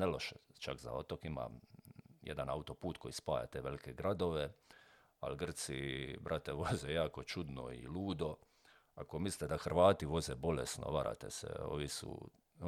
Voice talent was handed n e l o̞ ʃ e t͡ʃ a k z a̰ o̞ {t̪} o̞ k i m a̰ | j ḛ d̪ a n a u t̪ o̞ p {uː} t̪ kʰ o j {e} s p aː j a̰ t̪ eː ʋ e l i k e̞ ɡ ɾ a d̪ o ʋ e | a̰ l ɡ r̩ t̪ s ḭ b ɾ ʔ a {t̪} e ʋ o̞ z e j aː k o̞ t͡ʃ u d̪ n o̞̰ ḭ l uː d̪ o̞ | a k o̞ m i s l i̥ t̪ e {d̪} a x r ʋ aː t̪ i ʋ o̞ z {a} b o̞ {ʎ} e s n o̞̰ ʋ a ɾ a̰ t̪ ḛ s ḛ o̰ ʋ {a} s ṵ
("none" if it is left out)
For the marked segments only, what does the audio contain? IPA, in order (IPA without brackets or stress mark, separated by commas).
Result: t̪, uː, i, t̪, d̪, e, l, i